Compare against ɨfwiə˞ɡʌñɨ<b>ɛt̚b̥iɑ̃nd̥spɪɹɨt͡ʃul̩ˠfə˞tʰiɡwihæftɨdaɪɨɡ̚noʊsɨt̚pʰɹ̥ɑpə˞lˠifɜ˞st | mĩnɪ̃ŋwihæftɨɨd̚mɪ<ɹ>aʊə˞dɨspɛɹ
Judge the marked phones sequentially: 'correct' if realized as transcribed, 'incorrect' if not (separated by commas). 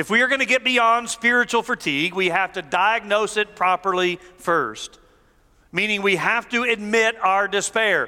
incorrect, incorrect